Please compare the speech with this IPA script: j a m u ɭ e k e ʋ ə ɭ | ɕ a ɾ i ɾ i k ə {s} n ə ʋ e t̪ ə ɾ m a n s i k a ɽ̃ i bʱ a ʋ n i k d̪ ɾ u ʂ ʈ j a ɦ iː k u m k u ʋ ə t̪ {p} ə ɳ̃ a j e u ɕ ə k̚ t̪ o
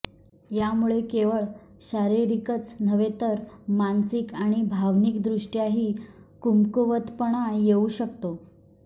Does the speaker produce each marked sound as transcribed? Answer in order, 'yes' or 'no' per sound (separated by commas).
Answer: no, yes